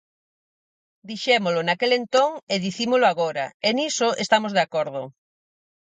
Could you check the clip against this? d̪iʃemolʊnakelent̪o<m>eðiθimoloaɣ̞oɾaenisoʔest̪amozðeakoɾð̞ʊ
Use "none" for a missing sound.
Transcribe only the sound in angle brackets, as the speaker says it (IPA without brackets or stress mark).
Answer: ŋ